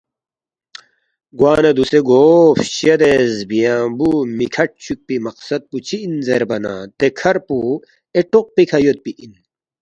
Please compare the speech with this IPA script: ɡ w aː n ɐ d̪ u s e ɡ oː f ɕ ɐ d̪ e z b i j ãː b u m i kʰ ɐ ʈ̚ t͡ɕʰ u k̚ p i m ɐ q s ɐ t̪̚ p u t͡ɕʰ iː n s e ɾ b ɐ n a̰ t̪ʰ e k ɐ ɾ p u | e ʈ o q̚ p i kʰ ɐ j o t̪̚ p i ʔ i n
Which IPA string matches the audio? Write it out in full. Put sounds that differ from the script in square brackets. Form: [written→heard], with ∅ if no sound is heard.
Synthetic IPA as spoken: ɡ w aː n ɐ d̪ u s e ɡ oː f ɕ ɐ d̪ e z b i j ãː b u m i kʰ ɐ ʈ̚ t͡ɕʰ u k̚ p i m ɐ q s ɐ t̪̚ p u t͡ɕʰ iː n [s→z] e ɾ b ɐ n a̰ [t̪ʰ→t̪] e [k→kʰ] ɐ ɾ p u | e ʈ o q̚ p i kʰ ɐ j o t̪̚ p i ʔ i n